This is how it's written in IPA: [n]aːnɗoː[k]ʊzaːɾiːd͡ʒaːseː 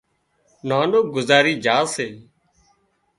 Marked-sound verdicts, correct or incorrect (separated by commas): correct, incorrect